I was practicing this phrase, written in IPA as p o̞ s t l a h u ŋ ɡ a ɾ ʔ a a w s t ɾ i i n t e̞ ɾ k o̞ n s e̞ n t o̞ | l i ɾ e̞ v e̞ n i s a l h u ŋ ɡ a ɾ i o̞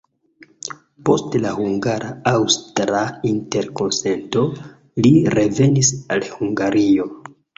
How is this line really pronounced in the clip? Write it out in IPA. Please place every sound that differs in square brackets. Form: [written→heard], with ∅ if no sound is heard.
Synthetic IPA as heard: p o̞ s t l a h u ŋ ɡ a ɾ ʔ a a w s t ɾ [i→a] i n t e̞ ɾ k o̞ n s e̞ n t o̞ | l i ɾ e̞ v e̞ n i s a l h u ŋ ɡ a ɾ i o̞